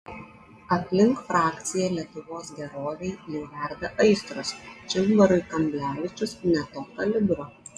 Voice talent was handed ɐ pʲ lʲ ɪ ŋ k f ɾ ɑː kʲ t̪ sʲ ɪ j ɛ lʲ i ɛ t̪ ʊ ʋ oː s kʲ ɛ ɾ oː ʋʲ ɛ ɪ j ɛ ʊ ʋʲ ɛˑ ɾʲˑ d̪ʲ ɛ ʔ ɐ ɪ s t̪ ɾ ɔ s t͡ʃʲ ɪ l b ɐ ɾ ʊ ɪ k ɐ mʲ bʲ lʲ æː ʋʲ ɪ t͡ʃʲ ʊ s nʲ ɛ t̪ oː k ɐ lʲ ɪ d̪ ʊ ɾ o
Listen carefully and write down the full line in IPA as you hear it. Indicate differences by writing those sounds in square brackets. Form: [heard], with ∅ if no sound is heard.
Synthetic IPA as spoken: ɐ pʲ lʲ ɪ ŋ k f ɾ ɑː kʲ t̪ sʲ ɪ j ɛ lʲ i ɛ t̪ ʊ ʋ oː s [ɡʲ] ɛ ɾ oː ʋʲ ɛ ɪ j ɛ ʊ ʋʲ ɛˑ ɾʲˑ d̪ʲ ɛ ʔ ɐ ɪ s t̪ ɾ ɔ s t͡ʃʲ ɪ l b ɐ ɾ ʊ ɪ k ɐ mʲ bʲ lʲ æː ʋʲ ɪ t͡ʃʲ ʊ s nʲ ɛ t̪ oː k ɐ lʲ ɪ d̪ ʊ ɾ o

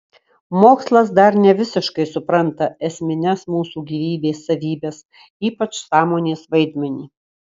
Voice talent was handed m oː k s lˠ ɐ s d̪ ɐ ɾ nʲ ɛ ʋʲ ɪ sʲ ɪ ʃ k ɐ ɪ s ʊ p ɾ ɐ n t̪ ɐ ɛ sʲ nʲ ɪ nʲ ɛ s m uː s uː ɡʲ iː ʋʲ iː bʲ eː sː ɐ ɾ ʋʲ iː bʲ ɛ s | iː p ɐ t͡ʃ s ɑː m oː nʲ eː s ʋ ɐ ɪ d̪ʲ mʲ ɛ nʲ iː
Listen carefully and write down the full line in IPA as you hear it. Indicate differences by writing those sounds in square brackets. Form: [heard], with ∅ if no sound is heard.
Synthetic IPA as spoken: m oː k s lˠ ɐ s d̪ ɐ ɾ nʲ ɛ ʋʲ ɪ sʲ ɪ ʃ k ɐ ɪ s ʊ p ɾ ɐ n t̪ ɐ ɛ sʲ [mʲ] ɪ nʲ ɛ s m uː s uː ɡʲ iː ʋʲ iː bʲ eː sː ɐ [∅] ʋʲ iː bʲ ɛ s | iː p ɐ t͡ʃ s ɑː m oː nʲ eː s ʋ ɐ ɪ d̪ʲ mʲ ɛ nʲ iː

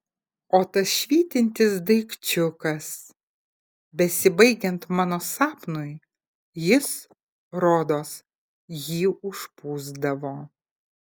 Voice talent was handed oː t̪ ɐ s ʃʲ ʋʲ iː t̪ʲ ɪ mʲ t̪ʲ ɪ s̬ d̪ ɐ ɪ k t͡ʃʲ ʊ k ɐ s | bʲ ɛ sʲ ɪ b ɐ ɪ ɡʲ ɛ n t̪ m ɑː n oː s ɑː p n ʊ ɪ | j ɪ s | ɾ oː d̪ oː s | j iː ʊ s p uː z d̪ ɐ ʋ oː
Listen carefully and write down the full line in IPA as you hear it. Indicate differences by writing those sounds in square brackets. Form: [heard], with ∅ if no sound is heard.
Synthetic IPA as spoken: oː t̪ ɐ s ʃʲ ʋʲ iː t̪ʲ ɪ [nʲ] t̪ʲ ɪ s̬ d̪ ɐ ɪ k t͡ʃʲ ʊ k ɐ s | bʲ ɛ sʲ ɪ b ɐ ɪ ɡʲ ɛ n t̪ m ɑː n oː s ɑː p n ʊ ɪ | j ɪ s | ɾ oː d̪ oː s | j iː ʊ [ʃ] p uː z d̪ ɐ ʋ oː

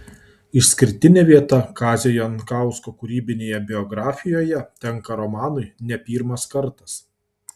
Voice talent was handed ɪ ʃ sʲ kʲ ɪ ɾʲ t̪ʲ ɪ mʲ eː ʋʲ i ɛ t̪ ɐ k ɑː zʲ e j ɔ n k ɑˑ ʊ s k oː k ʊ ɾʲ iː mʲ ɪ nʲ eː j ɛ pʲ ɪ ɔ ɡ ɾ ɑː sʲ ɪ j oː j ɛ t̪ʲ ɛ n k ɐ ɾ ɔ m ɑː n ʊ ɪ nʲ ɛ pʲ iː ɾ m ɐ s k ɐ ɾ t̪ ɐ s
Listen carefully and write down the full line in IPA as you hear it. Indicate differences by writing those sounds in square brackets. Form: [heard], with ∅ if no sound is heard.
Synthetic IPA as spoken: ɪ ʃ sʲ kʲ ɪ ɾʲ t̪ʲ ɪ [nʲ] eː ʋʲ i ɛ t̪ ɐ k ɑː zʲ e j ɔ n k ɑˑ ʊ s k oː k ʊ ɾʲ iː [bʲ] ɪ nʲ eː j ɛ [bʲ] ɪ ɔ ɡ ɾ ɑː [fʲ] ɪ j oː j ɛ t̪ʲ ɛ [ŋ] k ɐ ɾ ɔ m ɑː n ʊ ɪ nʲ ɛ pʲ iː ɾ m ɐ s k ɐ ɾ t̪ ɐ s

